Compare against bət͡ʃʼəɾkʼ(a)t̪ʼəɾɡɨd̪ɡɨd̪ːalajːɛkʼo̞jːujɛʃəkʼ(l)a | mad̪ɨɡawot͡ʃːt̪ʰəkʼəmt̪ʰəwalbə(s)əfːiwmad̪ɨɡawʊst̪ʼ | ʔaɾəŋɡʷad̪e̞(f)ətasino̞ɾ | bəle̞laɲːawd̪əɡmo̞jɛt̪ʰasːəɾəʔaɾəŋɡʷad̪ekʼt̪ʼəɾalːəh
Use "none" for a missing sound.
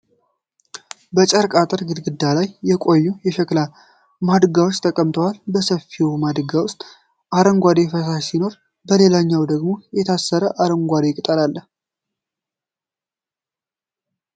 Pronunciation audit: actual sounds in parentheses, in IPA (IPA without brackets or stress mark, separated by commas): a, l, s, f